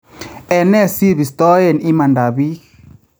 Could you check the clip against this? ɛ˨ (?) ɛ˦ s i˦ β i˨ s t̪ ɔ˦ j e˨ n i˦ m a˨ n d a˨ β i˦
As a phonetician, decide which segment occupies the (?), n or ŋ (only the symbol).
n